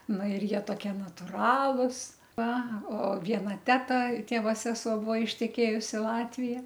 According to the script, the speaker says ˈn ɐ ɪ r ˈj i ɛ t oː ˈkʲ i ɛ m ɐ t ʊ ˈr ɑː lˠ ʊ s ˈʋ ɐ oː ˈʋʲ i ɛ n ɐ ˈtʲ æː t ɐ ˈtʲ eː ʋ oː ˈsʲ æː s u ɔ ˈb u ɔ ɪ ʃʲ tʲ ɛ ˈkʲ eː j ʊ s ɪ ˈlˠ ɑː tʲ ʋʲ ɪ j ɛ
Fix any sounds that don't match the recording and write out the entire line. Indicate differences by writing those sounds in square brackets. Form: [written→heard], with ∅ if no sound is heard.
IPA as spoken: ˈn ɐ ɪ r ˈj i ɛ t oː ˈkʲ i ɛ [m→n] ɐ t ʊ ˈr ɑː lˠ ʊ s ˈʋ ɐ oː ˈʋʲ i ɛ n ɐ ˈtʲ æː t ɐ ˈtʲ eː ʋ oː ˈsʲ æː s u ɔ ˈb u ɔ ɪ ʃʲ tʲ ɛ ˈkʲ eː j ʊ s ɪ ˈlˠ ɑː tʲ ʋʲ ɪ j ɛ